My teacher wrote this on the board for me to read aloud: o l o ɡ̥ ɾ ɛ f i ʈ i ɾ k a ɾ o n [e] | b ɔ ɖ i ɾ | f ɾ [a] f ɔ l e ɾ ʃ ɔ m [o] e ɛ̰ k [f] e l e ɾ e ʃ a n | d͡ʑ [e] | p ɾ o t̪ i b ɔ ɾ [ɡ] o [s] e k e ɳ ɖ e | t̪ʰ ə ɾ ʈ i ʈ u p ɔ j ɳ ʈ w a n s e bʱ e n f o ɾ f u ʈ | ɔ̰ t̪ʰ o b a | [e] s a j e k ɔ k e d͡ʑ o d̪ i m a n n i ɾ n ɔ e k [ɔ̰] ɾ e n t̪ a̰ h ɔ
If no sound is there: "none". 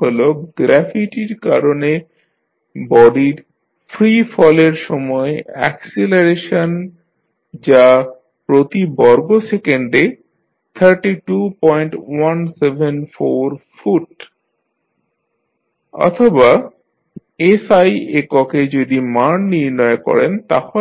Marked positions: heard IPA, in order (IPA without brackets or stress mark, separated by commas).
e, i, ɔ, s, a, ɡ, s, e, ɔ̰